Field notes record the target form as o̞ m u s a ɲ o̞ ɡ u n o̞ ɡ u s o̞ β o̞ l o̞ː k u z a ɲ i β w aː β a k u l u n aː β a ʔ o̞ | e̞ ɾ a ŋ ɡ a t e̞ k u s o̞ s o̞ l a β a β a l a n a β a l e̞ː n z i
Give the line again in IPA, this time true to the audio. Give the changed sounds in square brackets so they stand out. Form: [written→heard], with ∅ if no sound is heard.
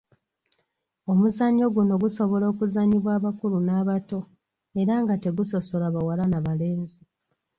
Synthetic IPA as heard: o̞ m u [s→z] a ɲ o̞ ɡ u n o̞ ɡ u s o̞ β o̞ l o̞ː k u z a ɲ i β w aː β a k u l u n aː β a [ʔ→t] o̞ | e̞ ɾ a ŋ ɡ a t e̞ [k→ɡ] u s o̞ s o̞ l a β a [β→w] a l a n a β a l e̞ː n z i